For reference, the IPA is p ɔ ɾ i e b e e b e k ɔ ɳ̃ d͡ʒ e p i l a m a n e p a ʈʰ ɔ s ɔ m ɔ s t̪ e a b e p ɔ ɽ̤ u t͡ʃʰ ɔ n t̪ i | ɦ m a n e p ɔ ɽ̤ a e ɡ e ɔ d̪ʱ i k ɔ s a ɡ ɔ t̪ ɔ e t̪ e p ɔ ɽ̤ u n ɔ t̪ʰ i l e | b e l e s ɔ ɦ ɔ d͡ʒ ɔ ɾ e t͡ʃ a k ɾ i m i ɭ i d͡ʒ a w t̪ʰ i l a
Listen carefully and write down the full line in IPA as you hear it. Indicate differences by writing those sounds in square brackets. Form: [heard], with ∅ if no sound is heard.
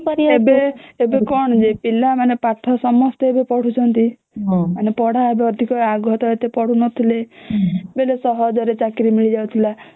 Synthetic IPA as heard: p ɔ ɾ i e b e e b e k ɔ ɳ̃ d͡ʒ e p i l a m a n e p a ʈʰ ɔ s ɔ m ɔ s t̪ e [e] b e p ɔ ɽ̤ u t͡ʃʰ ɔ n t̪ i | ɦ m a n e p ɔ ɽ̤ a e [b] e ɔ d̪ʱ i k ɔ [∅] a ɡ ɔ t̪ ɔ e t̪ e p ɔ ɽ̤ u n ɔ t̪ʰ i l e | b e l e s ɔ ɦ ɔ d͡ʒ ɔ ɾ e t͡ʃ a k ɾ i m i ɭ i d͡ʒ a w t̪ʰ i l a